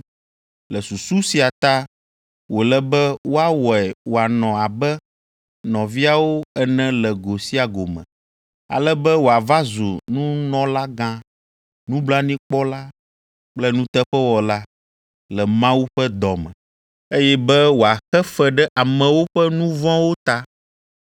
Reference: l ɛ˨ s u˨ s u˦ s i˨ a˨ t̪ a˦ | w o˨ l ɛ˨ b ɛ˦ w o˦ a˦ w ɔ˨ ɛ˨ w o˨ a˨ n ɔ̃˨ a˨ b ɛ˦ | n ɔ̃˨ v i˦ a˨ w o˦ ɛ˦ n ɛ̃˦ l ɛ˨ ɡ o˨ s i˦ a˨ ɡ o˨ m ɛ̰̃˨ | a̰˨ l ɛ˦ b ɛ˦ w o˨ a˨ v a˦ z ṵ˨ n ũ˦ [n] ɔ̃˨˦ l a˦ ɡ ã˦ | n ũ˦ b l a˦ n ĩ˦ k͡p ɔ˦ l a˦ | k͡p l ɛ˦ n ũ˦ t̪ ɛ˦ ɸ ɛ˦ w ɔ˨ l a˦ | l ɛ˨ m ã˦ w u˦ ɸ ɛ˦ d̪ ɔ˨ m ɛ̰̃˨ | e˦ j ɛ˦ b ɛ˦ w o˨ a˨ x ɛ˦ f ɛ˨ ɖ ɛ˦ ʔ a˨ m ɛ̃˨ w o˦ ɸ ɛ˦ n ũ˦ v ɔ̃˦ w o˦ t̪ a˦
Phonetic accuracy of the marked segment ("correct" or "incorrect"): correct